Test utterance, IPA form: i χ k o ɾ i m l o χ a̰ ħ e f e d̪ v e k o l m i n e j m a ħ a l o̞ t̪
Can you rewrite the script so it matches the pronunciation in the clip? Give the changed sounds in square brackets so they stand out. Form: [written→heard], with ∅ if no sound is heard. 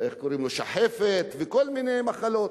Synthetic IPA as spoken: [i→e] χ k o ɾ i m l o [χ→ʃ] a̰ ħ e f e [d̪→t̪] v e k o l m i n e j m a [ħ→χ] a l o̞ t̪